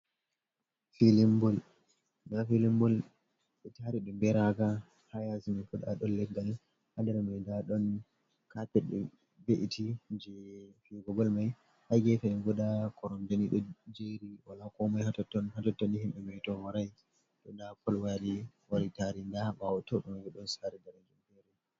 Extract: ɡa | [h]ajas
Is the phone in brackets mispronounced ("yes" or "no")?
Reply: no